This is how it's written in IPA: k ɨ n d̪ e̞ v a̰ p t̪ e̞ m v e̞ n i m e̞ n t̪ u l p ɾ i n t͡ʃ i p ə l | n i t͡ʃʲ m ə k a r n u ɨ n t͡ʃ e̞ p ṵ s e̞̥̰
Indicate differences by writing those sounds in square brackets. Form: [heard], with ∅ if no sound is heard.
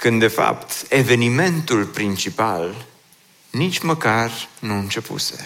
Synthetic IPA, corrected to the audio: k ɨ n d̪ e̞ [f] a̰ p t̪ e̞ [∅] v e̞ n i m e̞ n t̪ u l p ɾ i n t͡ʃ i p [a] l | n i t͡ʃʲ m ə k a r n u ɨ n t͡ʃ e̞ p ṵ s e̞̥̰